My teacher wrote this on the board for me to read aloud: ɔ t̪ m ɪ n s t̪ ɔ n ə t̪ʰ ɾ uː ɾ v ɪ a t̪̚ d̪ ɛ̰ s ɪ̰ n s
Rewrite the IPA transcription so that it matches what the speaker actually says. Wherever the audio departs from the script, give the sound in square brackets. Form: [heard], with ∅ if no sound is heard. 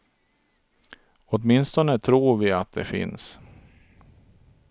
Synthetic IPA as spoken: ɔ t̪ m ɪ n s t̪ ɔ n ə t̪ʰ ɾ uː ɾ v ɪ a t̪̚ d̪ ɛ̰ [f] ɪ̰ n s